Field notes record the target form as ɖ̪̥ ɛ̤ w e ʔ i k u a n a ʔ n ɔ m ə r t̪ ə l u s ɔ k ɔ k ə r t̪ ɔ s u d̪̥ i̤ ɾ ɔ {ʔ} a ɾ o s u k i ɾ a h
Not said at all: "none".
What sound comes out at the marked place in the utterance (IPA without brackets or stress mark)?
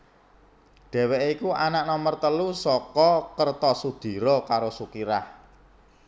k